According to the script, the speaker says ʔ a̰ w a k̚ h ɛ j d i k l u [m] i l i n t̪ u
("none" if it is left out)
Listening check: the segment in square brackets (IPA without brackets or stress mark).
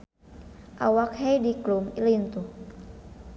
m